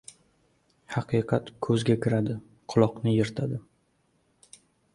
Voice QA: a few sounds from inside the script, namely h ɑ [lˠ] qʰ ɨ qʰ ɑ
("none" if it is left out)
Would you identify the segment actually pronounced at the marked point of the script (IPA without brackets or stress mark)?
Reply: none